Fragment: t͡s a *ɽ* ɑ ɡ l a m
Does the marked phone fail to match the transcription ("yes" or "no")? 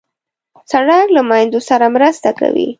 no